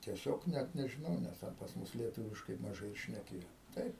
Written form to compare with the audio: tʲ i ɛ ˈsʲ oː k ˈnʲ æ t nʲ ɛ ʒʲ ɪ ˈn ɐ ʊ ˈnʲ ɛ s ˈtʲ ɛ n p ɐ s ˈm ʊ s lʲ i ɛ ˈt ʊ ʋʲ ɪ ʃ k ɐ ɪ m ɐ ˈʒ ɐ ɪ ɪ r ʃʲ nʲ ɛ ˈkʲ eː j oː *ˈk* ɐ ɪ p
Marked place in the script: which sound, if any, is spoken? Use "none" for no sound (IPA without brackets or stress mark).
t